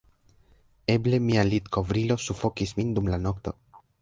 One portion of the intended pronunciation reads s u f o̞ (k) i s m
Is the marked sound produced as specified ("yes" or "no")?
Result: yes